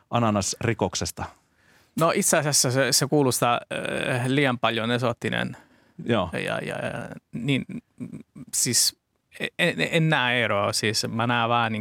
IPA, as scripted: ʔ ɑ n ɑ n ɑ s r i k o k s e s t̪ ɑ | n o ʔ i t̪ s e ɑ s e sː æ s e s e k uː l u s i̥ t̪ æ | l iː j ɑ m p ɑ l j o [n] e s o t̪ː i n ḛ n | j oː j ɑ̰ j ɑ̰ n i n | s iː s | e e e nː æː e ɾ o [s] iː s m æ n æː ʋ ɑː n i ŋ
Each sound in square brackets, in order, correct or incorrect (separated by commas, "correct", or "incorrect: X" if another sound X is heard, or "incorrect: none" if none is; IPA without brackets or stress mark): correct, correct